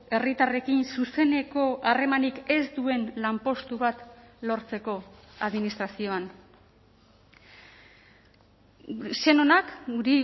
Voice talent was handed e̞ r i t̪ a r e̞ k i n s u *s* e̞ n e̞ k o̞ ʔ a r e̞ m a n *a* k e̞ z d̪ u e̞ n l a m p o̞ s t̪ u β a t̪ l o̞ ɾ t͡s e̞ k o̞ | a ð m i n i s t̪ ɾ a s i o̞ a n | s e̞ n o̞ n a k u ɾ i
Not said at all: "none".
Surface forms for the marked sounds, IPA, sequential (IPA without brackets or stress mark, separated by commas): s, i